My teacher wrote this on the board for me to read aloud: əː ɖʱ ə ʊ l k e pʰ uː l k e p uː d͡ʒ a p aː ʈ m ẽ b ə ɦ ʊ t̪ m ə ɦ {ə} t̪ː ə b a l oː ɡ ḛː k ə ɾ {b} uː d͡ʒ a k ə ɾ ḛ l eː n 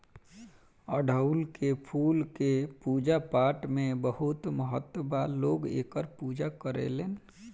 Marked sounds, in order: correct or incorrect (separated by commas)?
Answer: correct, incorrect